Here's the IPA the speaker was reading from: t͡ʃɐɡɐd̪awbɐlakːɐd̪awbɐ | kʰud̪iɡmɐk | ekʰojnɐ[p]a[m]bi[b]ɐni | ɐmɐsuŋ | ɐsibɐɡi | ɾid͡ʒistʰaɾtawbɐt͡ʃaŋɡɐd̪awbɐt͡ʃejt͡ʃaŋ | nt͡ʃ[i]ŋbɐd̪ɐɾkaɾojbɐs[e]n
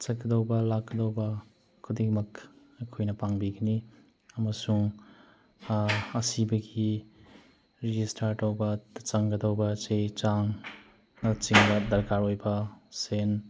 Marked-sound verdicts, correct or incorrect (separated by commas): correct, incorrect, incorrect, correct, correct